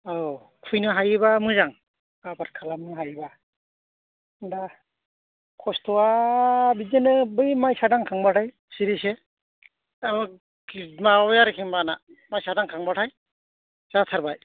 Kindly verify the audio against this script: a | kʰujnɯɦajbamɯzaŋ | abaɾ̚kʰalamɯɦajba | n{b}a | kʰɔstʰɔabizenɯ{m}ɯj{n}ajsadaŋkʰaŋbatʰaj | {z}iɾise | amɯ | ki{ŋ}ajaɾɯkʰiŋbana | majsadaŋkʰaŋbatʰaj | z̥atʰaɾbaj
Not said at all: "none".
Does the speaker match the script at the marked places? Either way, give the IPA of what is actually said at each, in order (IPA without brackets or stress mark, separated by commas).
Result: d, b, m, s, m